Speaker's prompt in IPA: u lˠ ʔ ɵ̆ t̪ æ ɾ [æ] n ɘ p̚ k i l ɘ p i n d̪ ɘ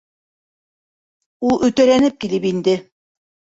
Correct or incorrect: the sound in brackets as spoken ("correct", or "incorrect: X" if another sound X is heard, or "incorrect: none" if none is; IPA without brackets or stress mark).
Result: correct